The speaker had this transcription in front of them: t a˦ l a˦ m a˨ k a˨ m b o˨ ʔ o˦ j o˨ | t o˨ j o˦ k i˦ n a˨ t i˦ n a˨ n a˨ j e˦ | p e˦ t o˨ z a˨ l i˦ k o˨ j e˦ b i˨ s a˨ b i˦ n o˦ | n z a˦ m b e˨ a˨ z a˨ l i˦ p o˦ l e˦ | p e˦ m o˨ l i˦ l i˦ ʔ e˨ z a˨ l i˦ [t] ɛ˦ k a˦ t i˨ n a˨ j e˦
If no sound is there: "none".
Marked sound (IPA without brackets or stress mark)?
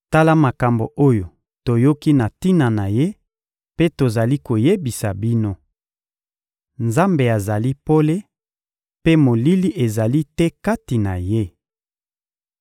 t